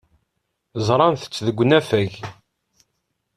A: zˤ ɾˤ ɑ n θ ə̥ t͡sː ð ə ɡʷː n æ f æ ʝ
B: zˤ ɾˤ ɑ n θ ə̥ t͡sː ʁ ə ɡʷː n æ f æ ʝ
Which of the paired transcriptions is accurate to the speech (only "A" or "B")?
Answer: A